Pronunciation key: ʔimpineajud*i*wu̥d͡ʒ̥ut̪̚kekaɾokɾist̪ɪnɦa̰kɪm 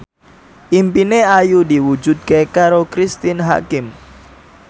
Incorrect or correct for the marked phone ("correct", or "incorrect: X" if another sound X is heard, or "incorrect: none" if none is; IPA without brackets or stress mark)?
correct